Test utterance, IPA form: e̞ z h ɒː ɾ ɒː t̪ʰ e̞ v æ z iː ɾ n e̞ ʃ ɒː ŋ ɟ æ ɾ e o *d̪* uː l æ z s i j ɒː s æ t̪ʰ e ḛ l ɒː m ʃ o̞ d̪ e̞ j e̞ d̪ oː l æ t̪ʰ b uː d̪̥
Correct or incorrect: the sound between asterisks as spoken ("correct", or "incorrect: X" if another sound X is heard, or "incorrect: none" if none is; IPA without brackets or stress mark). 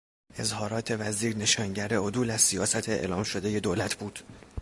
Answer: correct